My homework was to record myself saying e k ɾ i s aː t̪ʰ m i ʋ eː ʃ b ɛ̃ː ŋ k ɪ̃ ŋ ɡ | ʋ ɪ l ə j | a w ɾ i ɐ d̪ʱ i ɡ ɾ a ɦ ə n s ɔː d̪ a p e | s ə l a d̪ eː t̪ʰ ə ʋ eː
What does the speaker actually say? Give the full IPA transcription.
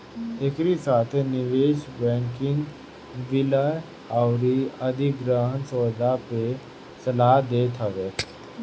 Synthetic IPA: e k ɾ i s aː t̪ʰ n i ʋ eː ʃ b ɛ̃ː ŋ k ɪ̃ ŋ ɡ | ʋ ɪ l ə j | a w ɾ i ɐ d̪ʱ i ɡ ɾ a ɦ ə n s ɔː d̪ a p e | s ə l a d̪ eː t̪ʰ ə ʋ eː